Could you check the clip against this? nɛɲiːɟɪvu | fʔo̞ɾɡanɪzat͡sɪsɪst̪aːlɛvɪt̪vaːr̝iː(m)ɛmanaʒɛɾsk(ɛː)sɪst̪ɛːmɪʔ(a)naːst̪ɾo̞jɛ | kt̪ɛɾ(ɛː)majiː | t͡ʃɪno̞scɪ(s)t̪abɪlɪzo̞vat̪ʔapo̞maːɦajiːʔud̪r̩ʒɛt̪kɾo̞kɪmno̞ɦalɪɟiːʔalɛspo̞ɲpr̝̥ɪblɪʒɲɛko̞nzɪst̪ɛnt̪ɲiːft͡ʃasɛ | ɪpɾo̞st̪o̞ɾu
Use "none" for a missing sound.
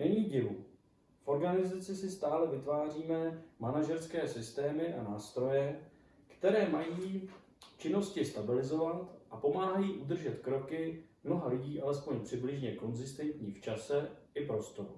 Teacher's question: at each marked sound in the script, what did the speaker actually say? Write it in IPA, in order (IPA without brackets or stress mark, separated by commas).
m, ɛː, a, ɛː, s